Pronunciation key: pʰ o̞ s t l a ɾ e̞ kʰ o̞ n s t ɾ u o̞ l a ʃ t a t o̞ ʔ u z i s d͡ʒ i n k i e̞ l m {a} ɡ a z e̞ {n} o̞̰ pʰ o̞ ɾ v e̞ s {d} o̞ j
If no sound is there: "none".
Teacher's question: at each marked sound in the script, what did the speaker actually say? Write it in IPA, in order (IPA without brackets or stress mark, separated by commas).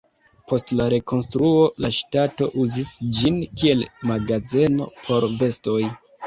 a, n, t